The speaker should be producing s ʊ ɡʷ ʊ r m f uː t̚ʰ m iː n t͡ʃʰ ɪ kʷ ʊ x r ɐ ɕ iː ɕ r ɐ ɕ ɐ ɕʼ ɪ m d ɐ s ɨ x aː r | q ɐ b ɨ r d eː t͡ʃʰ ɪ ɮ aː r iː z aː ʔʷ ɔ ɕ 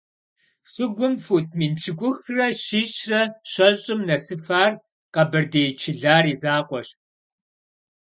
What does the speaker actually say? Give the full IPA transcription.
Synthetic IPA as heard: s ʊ ɡʷ ʊ m f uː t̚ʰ m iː n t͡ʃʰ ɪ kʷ ʊ x r ɐ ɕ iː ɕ r ɐ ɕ ɐ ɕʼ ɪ m n ɐ s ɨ f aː r | q ɐ b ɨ r d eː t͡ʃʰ ɪ ɮ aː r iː z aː qʷ ɔ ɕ

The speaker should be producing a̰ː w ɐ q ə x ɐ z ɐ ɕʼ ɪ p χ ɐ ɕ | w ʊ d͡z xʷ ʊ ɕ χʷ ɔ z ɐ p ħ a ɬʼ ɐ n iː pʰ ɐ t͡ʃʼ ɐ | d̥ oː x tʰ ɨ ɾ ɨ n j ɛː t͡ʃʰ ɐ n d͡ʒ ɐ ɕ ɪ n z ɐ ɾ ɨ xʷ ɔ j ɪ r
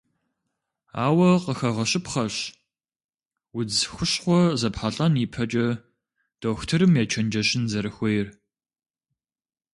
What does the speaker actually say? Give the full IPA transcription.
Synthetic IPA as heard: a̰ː w ɐ q ə x ɐ ʁ ɐ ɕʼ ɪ p χ ɐ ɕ | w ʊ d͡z xʷ ʊ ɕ χʷ ɔ z ɐ p ħ a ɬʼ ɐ n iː pʰ ɐ t͡ʃʼ ɐ | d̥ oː x tʰ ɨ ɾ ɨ m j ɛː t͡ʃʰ ɐ n d͡ʒ ɐ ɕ ɪ n z ɐ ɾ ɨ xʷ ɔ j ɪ r

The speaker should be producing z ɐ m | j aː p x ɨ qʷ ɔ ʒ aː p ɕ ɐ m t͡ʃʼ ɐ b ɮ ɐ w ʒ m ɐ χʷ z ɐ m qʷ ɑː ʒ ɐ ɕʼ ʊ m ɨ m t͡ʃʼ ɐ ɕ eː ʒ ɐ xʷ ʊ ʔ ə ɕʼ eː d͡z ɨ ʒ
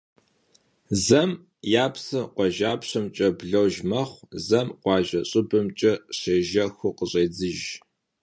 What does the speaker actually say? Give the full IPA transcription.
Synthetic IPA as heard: z ɐ m | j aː p s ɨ qʷ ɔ ʒ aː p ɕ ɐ m t͡ʃʼ ɐ b ɮ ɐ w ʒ m ɐ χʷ z ɐ m qʷ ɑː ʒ ɐ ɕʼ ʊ b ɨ m t͡ʃʼ ɐ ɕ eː ʒ ɐ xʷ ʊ q ə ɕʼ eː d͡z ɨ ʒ

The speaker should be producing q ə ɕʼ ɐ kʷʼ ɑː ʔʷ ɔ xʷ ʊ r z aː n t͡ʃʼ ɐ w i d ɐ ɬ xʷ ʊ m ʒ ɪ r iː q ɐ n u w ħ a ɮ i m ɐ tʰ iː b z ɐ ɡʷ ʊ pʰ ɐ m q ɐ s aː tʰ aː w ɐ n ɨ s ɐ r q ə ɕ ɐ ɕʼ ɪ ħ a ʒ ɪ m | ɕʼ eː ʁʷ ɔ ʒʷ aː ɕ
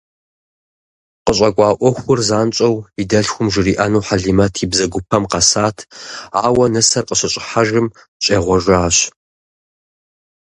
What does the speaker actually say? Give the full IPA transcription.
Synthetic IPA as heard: q ə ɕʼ ɐ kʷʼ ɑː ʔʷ ɔ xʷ ʊ r z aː n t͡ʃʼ ɐ w i d ɐ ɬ xʷ ʊ m ʒ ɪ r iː ʔ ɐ n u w ħ a ɮ i m ɐ tʰ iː b z ɐ ɡʷ ʊ pʰ ɐ m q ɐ s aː tʰ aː w ɐ n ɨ s ɐ r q ə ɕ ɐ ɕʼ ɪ ħ a ʒ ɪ m | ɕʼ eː ʁʷ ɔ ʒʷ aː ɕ

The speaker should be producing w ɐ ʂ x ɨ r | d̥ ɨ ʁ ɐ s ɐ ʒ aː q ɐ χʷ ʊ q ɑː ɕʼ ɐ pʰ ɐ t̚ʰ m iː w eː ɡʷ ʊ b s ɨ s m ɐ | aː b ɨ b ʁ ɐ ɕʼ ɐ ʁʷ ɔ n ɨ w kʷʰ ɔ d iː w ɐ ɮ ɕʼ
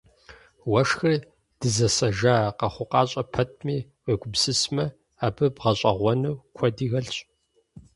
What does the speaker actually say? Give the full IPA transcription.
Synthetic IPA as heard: w ɐ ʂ x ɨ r | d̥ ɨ z ɐ s ɐ ʒ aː q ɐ χʷ ʊ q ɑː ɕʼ ɐ pʰ ɐ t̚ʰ m iː w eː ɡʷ ʊ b s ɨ s m ɐ | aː b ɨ b ʁ ɐ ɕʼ ɐ ʁʷ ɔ n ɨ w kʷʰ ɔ d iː ɣ ɐ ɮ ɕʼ

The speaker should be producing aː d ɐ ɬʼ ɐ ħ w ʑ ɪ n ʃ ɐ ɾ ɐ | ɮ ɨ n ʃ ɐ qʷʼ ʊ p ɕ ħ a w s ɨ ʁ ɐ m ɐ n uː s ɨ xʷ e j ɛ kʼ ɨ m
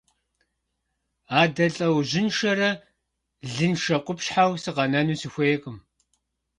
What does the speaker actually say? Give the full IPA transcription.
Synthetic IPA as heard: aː d ɐ ɬʼ ɐ w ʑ ɪ n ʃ ɐ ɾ ɐ | ɮ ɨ n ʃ ɐ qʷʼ ʊ p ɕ ħ a w s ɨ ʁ ɐ n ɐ n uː s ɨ xʷ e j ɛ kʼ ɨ m

